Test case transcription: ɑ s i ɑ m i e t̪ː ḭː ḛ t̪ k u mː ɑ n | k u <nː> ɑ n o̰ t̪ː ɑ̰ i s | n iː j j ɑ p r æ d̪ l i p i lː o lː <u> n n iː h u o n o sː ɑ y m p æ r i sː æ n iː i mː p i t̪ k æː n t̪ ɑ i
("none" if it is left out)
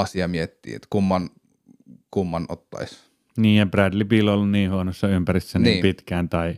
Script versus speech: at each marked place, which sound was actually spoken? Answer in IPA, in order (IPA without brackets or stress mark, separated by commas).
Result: mː, u